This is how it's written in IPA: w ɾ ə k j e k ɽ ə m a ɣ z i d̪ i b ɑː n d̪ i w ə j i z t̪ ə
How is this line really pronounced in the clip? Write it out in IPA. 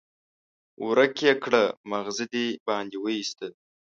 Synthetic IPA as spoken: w ɾ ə k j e k ɽ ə m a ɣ z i d̪ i b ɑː n d̪ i w ə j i s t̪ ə